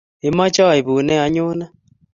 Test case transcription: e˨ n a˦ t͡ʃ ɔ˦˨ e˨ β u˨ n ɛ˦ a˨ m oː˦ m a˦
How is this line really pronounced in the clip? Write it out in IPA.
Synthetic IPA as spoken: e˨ m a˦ t͡ʃ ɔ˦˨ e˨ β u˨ n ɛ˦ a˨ ɲ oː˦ n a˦